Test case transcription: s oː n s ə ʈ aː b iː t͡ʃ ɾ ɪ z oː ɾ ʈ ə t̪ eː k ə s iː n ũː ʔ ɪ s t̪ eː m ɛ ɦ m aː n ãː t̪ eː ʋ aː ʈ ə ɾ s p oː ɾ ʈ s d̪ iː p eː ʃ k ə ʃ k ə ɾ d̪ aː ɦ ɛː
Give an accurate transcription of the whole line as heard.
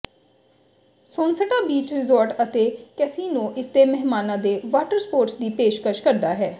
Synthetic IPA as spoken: s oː n s ə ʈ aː b iː t͡ʃ ɾ ɪ z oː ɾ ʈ ə t̪ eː k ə s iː n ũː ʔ ɪ s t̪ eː m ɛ ɦ m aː n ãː d̪ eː ʋ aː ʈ ə ɾ s p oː ɾ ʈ s d̪ iː p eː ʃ k ə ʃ k ə ɾ d̪ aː ɦ ɛː